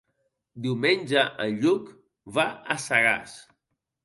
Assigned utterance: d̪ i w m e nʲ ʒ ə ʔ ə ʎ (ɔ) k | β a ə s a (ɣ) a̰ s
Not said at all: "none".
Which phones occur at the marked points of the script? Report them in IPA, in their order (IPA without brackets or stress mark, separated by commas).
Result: u, ɣ